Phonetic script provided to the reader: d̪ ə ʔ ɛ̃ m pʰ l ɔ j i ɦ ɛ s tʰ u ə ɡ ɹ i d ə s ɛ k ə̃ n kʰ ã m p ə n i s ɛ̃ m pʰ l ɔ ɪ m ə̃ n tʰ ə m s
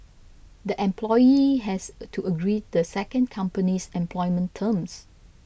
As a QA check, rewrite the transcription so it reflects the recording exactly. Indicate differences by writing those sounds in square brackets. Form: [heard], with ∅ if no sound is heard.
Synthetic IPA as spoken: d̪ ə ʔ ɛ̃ m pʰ l ɔ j i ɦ ɛ s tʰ u ə ɡ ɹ i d ə s ɛ k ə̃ n kʰ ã m p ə n i s ɛ̃ m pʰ l ɔ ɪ m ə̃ n tʰ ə m s